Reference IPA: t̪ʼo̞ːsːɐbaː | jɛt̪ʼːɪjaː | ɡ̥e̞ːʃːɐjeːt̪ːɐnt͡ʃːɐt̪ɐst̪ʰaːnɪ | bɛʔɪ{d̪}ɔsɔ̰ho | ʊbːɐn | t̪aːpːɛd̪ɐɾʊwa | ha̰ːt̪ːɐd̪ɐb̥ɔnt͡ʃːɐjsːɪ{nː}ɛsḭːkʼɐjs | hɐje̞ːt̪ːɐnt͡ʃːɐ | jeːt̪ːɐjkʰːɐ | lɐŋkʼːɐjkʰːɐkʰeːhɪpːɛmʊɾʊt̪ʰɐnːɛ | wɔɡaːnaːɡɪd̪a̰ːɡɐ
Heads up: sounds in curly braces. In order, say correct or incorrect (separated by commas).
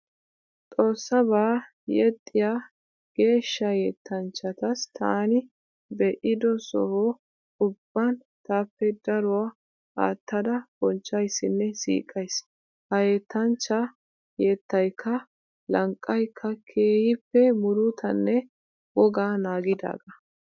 correct, correct